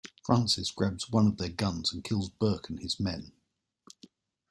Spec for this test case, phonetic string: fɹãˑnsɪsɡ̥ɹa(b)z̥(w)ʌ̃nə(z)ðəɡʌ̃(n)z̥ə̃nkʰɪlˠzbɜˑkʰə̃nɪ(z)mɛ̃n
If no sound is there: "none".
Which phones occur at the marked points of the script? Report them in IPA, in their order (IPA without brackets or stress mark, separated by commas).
b, w, v, n, z